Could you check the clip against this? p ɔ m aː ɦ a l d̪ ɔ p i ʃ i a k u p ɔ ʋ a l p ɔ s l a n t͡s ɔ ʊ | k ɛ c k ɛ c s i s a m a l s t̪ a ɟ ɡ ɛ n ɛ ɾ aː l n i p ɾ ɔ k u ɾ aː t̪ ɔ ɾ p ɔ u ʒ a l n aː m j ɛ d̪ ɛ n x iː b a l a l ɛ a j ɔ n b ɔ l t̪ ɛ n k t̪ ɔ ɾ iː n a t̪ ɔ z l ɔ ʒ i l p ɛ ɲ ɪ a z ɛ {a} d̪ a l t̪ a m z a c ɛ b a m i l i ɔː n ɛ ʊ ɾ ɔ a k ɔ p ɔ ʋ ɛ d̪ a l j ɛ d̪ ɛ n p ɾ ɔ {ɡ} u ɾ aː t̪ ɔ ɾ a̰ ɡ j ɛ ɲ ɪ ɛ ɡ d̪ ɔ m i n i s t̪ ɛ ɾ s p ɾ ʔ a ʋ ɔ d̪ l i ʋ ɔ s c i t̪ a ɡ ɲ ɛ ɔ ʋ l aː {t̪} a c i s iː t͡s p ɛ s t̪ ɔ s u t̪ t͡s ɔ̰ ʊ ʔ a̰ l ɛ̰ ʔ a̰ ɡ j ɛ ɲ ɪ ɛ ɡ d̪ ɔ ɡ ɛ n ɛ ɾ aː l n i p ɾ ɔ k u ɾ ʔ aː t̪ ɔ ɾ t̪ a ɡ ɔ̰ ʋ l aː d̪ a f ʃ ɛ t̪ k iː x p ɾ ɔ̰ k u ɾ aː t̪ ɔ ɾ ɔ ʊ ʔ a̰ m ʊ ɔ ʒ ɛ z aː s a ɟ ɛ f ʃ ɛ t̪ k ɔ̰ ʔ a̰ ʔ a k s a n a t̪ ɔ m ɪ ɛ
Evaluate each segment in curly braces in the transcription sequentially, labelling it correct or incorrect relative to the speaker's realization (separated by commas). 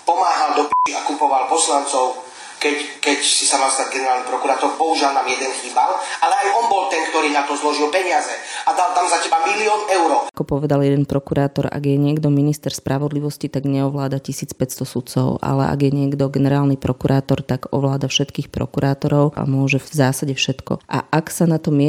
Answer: correct, incorrect, incorrect